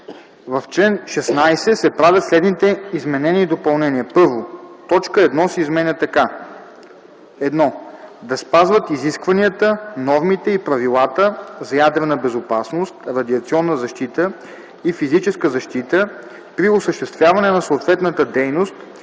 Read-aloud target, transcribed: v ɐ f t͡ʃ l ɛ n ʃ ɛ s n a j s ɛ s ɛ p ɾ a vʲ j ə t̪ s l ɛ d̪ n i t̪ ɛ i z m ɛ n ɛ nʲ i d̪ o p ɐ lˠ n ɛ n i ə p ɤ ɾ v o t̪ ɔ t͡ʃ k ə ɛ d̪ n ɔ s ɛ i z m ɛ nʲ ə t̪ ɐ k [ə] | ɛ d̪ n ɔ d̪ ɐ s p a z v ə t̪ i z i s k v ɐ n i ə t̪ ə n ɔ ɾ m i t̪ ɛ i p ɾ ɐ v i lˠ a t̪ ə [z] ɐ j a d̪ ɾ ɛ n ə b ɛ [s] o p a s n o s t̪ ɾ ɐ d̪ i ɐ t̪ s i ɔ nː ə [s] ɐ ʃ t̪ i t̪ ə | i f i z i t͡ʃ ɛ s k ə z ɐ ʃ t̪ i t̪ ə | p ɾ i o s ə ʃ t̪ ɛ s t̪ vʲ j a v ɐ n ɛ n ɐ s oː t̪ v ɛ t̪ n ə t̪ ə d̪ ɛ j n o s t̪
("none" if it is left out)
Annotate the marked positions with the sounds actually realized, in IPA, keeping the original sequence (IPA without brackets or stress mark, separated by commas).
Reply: a, z, z, z